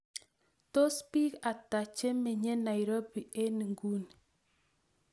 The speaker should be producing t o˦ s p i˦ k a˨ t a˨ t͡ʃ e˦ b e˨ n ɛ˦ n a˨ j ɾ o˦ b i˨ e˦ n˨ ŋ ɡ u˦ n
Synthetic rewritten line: t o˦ s p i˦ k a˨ t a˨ t͡ʃ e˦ m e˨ ɲ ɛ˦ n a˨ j ɾ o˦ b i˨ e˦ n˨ ŋ ɡ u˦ n